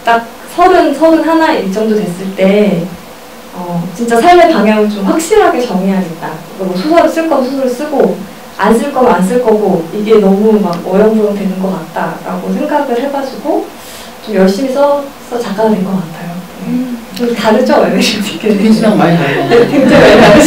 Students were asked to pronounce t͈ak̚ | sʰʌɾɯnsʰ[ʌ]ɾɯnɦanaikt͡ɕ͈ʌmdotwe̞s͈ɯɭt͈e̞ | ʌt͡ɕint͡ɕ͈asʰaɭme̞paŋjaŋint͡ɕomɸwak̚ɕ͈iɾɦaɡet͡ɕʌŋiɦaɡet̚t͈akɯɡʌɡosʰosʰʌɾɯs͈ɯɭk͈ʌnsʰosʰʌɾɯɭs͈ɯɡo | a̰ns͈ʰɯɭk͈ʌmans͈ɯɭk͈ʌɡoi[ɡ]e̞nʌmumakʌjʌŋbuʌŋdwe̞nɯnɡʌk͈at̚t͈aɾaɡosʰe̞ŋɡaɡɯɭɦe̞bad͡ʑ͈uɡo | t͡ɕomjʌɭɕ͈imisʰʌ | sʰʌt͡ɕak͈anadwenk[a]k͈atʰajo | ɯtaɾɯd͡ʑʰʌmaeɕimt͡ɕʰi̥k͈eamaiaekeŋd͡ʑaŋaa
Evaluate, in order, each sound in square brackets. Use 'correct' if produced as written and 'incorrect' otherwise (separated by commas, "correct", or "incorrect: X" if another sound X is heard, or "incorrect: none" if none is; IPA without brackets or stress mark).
correct, correct, incorrect: ʌ